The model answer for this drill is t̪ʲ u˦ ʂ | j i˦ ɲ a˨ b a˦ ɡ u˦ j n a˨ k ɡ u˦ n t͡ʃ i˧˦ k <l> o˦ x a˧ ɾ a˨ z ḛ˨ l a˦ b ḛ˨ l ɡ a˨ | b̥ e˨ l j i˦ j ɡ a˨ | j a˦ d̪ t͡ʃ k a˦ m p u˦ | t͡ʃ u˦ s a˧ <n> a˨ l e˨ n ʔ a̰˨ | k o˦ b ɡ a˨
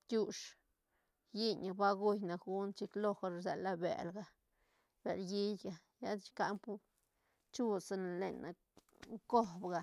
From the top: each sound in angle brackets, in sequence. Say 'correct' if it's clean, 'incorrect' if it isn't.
correct, correct

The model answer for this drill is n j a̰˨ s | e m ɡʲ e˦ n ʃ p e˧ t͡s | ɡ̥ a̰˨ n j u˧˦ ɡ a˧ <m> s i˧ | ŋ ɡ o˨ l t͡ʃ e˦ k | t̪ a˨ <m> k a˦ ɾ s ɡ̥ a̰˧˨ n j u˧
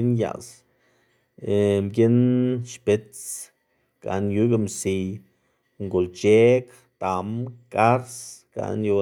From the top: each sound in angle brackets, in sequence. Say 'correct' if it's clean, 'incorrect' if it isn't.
correct, correct

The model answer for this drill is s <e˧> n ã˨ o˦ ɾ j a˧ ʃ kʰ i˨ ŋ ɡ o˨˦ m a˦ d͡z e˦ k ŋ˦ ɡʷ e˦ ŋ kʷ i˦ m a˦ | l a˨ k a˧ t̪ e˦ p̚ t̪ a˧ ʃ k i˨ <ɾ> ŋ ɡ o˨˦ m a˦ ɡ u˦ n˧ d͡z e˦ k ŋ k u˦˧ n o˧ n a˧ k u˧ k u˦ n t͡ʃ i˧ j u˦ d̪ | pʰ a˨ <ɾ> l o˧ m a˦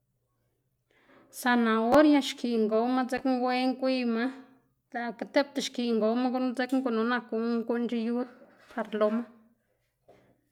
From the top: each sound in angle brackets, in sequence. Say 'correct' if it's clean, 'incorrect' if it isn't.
incorrect, incorrect, correct

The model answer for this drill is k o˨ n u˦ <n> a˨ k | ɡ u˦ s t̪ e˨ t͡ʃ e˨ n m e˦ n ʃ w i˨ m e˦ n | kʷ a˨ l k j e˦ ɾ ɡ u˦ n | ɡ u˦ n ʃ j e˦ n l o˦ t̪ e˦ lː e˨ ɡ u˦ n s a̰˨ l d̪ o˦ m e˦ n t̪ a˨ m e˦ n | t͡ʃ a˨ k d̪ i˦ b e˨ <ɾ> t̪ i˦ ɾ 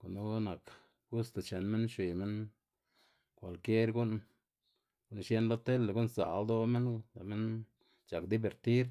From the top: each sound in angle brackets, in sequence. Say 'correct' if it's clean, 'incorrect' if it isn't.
correct, correct

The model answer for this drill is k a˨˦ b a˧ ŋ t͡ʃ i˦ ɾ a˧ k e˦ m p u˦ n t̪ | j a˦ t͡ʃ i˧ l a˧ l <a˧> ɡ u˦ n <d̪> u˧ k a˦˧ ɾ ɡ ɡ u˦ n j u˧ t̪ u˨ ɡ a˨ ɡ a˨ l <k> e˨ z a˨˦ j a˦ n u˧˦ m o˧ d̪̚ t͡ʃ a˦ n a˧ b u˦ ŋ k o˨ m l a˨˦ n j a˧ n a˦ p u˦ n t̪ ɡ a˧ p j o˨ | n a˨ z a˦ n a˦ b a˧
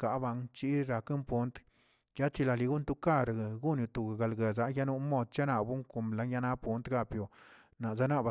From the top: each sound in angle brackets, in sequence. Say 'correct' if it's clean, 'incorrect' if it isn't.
incorrect, incorrect, incorrect

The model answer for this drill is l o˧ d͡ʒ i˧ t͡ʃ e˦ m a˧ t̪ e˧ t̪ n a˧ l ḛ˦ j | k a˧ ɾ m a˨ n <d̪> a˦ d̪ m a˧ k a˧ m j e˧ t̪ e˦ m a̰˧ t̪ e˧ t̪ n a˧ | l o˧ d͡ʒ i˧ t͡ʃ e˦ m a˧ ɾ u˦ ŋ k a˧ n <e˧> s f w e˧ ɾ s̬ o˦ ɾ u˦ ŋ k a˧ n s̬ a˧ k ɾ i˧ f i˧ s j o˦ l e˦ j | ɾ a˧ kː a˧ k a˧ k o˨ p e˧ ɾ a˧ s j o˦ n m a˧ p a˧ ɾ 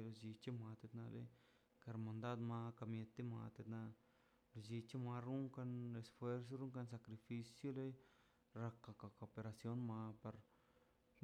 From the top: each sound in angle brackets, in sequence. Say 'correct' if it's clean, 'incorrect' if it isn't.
correct, correct

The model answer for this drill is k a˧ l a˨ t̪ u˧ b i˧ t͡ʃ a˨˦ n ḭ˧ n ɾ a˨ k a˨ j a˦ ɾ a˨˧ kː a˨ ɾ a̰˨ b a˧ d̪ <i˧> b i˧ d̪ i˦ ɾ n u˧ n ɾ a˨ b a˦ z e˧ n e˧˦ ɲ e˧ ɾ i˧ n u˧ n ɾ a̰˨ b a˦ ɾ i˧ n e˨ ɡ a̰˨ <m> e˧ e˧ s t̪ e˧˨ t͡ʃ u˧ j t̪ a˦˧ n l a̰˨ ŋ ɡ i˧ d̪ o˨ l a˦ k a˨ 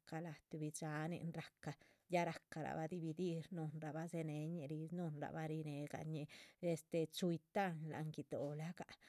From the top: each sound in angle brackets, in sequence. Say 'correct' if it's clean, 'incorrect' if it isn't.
correct, incorrect

